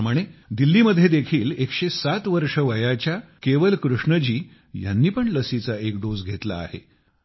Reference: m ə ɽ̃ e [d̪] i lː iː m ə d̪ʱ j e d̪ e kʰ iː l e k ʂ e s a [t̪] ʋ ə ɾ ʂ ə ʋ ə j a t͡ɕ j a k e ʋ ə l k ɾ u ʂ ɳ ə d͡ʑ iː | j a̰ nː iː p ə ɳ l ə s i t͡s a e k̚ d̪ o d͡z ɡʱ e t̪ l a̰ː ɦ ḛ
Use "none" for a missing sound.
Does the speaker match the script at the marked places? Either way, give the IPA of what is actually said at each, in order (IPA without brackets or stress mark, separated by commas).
d̪, t̪